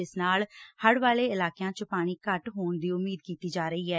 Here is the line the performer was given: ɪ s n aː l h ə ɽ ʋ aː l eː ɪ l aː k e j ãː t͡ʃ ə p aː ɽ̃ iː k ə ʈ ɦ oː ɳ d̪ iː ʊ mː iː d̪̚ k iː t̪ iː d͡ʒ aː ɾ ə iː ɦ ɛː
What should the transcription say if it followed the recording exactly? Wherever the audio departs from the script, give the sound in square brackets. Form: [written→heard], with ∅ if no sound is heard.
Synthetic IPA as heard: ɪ s n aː l h ə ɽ ʋ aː l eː ɪ l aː k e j ãː t͡ʃ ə p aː ɽ̃ iː k ə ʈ ɦ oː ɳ d̪ iː ʊ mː iː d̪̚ k iː t̪ iː d͡ʒ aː ɾ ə iː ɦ ɛː

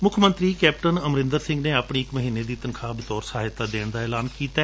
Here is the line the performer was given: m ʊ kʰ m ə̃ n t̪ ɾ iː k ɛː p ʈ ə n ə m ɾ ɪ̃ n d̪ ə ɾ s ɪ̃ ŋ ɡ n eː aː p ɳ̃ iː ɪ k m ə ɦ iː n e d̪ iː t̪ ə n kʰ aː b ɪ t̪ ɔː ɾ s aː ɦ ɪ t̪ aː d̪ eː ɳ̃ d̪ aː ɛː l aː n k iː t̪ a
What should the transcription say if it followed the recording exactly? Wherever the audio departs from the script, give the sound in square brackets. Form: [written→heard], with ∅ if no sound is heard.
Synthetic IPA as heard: m ʊ kʰ m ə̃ n t̪ ɾ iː k ɛː p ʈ ə n ə m ɾ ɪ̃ n d̪ ə ɾ s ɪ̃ ŋ ɡ n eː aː p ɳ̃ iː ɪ k m ə ɦ iː n e d̪ iː t̪ ə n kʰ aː b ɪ t̪ ɔː ɾ s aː ɦ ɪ t̪ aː d̪ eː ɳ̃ d̪ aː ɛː l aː n k iː t̪ a

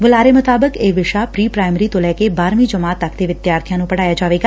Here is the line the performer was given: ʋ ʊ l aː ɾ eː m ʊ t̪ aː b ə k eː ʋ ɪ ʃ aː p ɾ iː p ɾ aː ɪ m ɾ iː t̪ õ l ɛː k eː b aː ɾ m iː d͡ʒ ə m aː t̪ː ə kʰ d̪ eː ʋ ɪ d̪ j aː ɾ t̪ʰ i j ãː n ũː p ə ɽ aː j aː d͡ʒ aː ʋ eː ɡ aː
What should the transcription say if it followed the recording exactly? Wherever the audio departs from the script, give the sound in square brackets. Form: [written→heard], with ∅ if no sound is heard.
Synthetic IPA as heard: ʋ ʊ l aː ɾ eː m ʊ t̪ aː b ə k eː ʋ ɪ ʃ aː p ɾ iː p ɾ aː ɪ m ɾ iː t̪ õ l ɛː k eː b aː ɾ m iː d͡ʒ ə m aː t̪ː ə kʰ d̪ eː ʋ ɪ d̪ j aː ɾ t̪ʰ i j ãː n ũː p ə ɽ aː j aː d͡ʒ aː ʋ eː ɡ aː

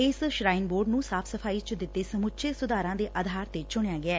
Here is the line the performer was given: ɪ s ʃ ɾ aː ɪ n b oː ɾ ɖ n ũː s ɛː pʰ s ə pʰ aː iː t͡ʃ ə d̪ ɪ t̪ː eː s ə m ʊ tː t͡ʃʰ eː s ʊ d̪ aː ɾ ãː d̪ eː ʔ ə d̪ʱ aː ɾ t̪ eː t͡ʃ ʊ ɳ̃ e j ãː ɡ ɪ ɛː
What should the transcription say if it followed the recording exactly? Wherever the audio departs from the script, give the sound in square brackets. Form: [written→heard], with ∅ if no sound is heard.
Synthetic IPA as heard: ɪ s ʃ ɾ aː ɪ n b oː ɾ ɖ n ũː s [ɛː→aː] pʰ s ə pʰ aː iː t͡ʃ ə d̪ ɪ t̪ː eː s ə m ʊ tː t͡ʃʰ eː s ʊ d̪ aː ɾ ãː d̪ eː ʔ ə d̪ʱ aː ɾ t̪ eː t͡ʃ ʊ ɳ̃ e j [ãː→aː] ɡ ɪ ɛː

